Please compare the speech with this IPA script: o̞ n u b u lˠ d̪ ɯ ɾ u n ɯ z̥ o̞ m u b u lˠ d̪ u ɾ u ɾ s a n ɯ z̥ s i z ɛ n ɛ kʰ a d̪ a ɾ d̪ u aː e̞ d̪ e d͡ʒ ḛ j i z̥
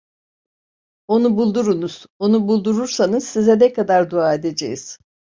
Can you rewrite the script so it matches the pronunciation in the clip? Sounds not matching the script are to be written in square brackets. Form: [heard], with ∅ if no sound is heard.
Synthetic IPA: o̞ n u b u lˠ d̪ [u] ɾ u n [u] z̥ o̞ [n] u b u lˠ d̪ u ɾ u ɾ s a n ɯ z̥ s i z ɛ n ɛ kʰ a d̪ a ɾ d̪ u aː e̞ d̪ e d͡ʒ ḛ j i z̥

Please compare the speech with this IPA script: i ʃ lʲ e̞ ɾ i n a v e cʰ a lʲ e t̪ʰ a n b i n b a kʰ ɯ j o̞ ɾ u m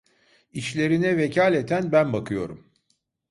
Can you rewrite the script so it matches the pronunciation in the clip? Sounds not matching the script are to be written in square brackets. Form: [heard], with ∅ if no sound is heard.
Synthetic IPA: i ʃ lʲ e̞ ɾ i n [ɛ] v e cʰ a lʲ e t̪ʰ [æ] n b [æ] n b a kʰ ɯ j o̞ ɾ u m

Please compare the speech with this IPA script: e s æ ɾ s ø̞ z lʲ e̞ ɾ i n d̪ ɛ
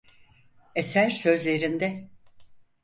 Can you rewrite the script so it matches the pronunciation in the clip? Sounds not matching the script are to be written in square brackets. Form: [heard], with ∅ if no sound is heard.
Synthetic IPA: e s æ ɾ s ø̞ z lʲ e̞ ɾ i n d̪ ɛ

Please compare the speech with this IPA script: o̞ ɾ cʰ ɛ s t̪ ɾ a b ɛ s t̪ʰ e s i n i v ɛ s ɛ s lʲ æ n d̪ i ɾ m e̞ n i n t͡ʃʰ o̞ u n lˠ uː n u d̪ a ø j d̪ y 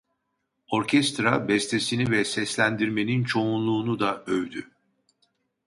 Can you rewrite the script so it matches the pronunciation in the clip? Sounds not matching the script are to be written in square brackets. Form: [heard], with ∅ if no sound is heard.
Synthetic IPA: o̞ ɾ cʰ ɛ s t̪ ɾ a b ɛ s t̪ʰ e s i n i v ɛ s ɛ s lʲ æ n d̪ i ɾ m e̞ n i n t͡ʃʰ o̞ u n lˠ uː n u d̪ a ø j d̪ y

